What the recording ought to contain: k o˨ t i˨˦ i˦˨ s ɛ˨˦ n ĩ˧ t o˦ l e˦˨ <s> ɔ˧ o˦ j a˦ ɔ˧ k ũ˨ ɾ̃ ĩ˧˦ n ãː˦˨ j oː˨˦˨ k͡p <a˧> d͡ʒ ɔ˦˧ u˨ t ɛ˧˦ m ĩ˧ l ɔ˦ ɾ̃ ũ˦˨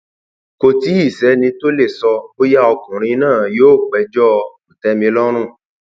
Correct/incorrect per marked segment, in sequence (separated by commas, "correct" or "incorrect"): correct, incorrect